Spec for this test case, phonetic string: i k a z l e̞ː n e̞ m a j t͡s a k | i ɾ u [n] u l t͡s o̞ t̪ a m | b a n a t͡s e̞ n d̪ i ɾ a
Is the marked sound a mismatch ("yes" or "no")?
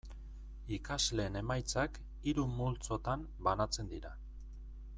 yes